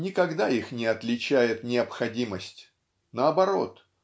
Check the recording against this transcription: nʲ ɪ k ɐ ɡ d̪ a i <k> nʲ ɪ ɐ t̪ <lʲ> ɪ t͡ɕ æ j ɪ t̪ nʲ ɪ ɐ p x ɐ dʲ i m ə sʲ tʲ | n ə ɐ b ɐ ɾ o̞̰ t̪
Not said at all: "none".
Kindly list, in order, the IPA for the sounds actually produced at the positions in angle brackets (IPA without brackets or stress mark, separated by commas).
x, lʲ